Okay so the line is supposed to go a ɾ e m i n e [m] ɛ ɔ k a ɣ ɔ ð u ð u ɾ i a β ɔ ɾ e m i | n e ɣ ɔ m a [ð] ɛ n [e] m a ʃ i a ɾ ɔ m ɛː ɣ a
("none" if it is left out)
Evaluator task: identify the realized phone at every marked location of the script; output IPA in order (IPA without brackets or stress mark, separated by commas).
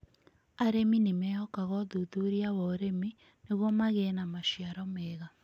m, ɣ, a